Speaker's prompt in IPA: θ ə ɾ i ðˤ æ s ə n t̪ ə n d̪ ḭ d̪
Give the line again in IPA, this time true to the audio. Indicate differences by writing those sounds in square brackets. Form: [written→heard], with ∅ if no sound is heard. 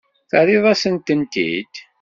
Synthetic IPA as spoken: θ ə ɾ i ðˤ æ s ə n t̪ ə n [d̪→t̪] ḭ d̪